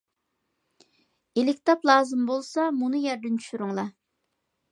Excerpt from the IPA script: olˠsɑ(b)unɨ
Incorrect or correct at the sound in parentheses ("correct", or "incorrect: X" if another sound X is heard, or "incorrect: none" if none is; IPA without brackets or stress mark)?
incorrect: m